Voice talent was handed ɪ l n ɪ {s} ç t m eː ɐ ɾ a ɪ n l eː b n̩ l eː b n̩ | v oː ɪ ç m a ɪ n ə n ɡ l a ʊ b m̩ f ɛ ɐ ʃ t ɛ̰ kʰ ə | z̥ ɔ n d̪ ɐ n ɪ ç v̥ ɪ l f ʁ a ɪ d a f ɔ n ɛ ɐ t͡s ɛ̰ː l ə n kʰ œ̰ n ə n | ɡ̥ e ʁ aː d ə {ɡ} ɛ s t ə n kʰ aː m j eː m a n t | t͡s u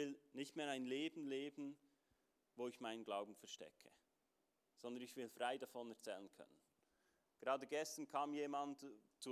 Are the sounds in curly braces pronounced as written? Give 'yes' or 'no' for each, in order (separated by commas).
no, yes